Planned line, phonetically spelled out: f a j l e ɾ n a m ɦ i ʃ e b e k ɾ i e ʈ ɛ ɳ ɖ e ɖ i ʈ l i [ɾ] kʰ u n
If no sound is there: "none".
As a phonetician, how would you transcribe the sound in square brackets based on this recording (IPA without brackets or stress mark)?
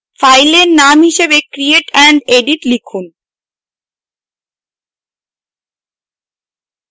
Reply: none